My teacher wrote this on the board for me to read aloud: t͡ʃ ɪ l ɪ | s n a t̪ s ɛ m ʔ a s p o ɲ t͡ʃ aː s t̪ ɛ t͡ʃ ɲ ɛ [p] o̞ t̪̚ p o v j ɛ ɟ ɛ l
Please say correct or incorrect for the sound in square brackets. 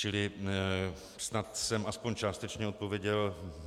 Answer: incorrect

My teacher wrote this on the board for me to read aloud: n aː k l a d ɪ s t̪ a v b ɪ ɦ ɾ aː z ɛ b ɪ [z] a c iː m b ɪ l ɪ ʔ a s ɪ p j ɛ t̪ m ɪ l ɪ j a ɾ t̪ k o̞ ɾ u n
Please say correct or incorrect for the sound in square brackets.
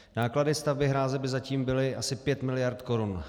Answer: correct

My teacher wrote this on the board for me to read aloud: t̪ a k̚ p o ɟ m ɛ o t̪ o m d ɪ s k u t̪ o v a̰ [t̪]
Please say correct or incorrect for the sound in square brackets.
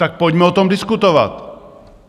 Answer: correct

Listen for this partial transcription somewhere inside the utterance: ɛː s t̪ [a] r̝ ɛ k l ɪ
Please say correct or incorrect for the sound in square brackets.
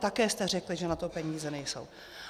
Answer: incorrect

